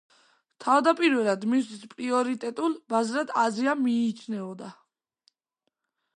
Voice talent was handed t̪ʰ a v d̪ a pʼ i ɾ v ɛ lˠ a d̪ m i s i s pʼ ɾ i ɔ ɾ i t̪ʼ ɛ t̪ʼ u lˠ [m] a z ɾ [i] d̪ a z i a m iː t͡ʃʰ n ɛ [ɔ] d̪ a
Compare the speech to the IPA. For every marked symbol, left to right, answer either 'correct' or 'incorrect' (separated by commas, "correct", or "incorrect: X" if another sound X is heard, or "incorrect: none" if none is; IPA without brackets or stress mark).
incorrect: b, incorrect: a, correct